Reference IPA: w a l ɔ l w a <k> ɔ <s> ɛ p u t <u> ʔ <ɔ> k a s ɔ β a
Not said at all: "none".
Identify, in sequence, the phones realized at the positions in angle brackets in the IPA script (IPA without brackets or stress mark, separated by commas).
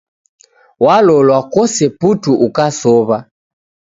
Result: k, s, u, u